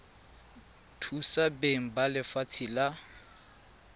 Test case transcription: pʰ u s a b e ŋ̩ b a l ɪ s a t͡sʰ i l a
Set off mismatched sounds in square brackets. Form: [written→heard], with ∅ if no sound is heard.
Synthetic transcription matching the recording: [pʰ→tʰ] u s a b e ŋ̩ b a l ɪ [s→f] a t͡sʰ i l a